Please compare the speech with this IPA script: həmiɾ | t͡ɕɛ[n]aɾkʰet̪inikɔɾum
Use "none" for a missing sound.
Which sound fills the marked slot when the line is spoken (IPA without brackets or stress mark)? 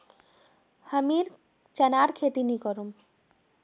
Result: n